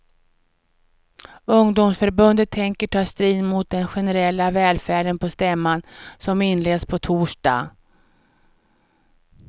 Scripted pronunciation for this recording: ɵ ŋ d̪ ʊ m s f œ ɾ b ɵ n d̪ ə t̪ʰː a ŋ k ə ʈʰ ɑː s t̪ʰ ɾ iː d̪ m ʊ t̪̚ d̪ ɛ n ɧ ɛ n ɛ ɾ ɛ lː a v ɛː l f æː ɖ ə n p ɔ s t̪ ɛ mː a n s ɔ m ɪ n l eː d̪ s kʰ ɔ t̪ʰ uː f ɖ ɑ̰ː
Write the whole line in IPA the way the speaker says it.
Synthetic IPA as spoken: ɵ ŋ d̪ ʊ m s f œ ɾ b ɵ n d̪ ə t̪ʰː ɛ ŋ k ə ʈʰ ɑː s t̪ ɾ iː d̪ m ʊ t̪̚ d̪ ɛ n ɧ ɛ n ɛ ɾ ɛ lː a v ɛː l f æː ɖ ə n p ɔ s t̪ ɛ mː a n s ɔ m ɪ n l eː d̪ s pʰ ɔ t̪ʰ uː ʂ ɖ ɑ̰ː